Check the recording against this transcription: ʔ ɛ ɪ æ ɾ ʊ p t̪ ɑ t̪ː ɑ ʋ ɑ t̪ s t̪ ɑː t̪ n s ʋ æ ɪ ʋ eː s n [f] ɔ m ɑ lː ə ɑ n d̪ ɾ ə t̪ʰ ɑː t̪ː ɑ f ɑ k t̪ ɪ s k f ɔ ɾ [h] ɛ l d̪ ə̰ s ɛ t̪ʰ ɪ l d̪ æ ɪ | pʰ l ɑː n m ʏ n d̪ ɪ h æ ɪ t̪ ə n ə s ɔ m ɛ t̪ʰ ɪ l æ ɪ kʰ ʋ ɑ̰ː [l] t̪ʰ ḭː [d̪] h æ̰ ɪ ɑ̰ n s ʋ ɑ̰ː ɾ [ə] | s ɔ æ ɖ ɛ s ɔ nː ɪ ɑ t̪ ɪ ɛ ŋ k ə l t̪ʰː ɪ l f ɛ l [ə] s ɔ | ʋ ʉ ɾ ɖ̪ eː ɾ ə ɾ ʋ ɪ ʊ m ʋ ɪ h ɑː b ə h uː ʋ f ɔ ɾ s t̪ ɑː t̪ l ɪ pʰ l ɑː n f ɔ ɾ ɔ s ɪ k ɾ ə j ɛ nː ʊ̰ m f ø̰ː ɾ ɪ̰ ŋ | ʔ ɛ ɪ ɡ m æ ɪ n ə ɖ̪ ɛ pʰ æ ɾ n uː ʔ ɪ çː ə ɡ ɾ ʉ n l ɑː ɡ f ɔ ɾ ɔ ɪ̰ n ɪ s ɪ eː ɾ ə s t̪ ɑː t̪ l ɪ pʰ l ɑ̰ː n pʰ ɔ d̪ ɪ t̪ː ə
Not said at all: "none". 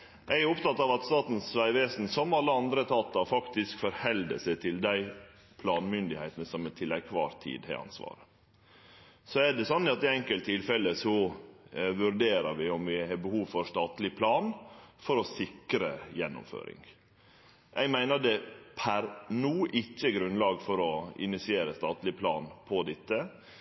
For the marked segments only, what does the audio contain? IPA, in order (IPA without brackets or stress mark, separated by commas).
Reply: s, h, ɾ, d̪, ə, ə